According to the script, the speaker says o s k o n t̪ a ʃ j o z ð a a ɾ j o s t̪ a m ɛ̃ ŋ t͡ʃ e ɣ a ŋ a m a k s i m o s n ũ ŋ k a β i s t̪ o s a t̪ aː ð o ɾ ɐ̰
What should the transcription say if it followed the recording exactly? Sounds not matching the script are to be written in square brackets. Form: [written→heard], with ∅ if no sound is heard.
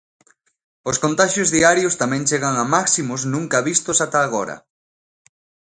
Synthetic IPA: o s k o n t̪ a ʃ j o z ð [a→i] a ɾ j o s t̪ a m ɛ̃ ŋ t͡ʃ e ɣ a ŋ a m a k s i m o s n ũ ŋ k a β i s t̪ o s a t̪ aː [ð→ɣ] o ɾ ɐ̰

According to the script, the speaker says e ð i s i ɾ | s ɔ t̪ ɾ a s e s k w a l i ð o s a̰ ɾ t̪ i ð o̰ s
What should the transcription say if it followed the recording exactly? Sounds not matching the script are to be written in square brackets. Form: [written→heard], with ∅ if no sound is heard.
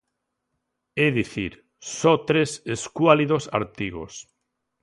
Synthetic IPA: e ð i [s→θ] i ɾ | s ɔ t̪ ɾ [a→e] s e s k w a l i ð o s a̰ ɾ t̪ i [ð→ɣ] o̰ s

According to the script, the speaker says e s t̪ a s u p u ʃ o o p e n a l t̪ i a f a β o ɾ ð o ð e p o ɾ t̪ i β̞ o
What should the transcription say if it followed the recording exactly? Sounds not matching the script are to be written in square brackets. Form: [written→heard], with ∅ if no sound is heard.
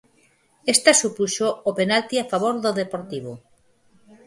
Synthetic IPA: e s t̪ a s u p u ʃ o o p e n a l t̪ i a f a β o ɾ ð o ð e p o ɾ t̪ i β̞ o

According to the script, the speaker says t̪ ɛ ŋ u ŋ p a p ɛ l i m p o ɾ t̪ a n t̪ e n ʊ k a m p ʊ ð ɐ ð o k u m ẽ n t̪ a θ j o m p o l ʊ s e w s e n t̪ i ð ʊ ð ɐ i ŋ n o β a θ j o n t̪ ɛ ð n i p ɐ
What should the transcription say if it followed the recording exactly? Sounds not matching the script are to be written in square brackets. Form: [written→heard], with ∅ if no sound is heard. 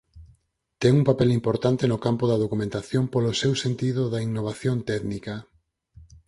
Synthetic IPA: t̪ ɛ ŋ u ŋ p a p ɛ l i m p o ɾ t̪ a n t̪ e n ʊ k a m p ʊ ð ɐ ð o k u m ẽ n t̪ a θ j o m p o l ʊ s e w s e n t̪ i ð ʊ ð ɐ i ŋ n o β a θ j o n t̪ ɛ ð n i [p→k] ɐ

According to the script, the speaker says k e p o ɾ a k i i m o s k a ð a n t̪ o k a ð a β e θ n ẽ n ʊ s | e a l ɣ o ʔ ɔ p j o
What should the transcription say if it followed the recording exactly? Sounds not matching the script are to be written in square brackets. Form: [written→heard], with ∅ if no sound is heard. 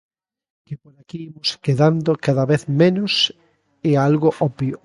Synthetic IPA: k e p o ɾ a k i i m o s k [a→e] ð a n [t̪→d̪] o k a ð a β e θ [n→m] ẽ n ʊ s | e a l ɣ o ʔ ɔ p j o

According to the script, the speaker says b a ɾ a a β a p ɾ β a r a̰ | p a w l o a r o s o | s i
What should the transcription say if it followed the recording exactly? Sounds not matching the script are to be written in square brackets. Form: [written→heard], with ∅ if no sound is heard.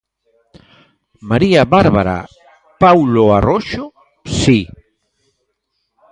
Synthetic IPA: [b→m] a ɾ [a→i] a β a [p→∅] ɾ β a [r→ɾ] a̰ | p a w l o a r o [s→ʃ] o | s i

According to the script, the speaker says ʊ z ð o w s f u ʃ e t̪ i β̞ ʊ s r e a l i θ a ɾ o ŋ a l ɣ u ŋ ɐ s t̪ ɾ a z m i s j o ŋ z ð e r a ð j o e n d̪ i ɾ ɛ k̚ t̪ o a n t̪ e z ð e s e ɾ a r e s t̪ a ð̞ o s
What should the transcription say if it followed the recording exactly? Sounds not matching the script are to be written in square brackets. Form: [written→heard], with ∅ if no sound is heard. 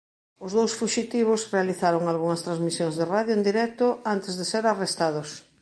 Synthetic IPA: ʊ z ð o w s f u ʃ [e→i] t̪ i β̞ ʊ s r e a l i θ a ɾ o ŋ a l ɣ u ŋ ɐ s t̪ ɾ a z m i s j o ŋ z ð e r a ð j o e n d̪ i ɾ ɛ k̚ t̪ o a n t̪ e z ð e s e ɾ a r e s t̪ a ð̞ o s

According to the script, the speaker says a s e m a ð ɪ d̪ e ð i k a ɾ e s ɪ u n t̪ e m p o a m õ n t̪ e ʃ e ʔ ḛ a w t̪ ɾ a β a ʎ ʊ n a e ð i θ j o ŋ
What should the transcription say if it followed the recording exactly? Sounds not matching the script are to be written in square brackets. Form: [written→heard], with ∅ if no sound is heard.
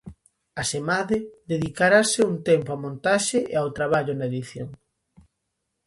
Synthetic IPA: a s e m a ð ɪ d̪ e ð i k a ɾ [e→a] s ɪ u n t̪ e m p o a m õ n t̪ [e→a] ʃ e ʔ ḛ a w t̪ ɾ a β a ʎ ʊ n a e ð i θ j o ŋ

